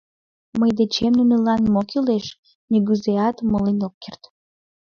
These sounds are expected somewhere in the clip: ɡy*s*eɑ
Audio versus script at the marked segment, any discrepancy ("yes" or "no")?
yes